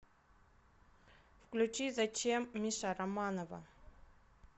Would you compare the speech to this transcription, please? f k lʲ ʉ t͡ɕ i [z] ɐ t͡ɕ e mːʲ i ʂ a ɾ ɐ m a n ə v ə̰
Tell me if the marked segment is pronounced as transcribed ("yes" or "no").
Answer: yes